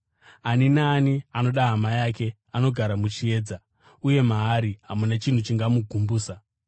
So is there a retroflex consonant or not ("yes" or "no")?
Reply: no